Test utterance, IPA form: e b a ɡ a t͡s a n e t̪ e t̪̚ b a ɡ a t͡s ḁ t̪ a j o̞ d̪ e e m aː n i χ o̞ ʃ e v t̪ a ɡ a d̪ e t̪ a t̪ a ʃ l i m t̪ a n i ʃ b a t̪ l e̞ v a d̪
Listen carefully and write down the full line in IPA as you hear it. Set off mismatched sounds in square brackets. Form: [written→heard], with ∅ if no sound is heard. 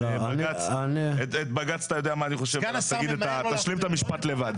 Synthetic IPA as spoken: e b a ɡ a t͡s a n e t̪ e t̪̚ b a ɡ a t͡s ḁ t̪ a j o̞ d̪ e [e→a] m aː n i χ o̞ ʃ e v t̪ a ɡ [a→i] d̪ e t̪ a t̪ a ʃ l i m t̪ a [n→m] i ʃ [b→p] a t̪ l e̞ v a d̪